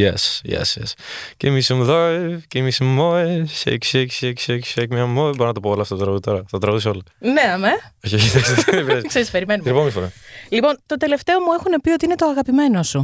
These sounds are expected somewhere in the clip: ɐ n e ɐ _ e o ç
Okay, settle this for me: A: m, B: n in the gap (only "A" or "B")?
A